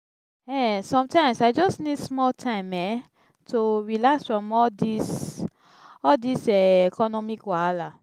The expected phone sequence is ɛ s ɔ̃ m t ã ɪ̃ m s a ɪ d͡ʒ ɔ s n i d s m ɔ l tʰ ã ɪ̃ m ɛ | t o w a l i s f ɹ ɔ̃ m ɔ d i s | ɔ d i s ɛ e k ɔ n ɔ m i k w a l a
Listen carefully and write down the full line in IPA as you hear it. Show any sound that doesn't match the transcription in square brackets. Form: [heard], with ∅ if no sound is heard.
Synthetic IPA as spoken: ɛ s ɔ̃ m t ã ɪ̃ m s a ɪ d͡ʒ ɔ s n i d s m ɔ l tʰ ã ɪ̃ m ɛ | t o w [i] l [a] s f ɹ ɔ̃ m ɔ d i s | ɔ d i s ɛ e k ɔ n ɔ m i k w a l a